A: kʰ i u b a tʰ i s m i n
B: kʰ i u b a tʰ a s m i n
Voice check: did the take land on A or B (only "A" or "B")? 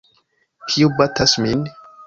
B